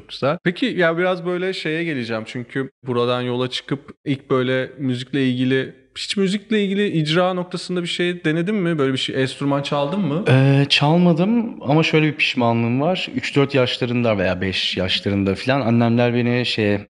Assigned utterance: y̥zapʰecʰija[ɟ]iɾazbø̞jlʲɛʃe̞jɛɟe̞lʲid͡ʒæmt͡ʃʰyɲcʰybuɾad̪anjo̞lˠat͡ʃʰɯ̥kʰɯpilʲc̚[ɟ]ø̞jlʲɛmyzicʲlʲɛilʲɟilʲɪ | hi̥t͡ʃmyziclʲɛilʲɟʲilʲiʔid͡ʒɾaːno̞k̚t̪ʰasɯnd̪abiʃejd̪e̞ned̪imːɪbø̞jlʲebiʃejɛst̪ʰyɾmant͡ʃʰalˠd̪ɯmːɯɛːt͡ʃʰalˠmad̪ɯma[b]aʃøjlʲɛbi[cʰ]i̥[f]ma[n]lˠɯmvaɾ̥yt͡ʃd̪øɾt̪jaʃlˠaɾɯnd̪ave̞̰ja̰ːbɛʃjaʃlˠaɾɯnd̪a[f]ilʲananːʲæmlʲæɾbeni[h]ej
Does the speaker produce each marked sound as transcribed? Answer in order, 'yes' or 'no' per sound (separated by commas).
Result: no, no, no, no, no, yes, yes, no